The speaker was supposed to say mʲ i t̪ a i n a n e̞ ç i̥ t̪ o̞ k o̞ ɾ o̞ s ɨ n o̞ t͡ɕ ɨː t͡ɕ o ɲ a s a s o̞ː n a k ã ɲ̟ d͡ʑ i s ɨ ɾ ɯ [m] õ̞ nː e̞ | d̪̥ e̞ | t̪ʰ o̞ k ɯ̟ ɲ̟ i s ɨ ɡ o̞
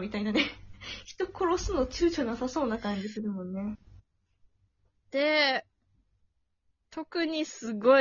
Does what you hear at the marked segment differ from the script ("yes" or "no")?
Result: no